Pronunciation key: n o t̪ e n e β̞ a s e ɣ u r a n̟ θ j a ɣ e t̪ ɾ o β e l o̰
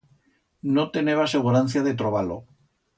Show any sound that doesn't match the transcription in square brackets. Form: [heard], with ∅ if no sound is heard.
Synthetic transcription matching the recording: n o t̪ e n e β̞ a s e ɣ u [ɾ] a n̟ θ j a [ð] e t̪ ɾ o β [a] l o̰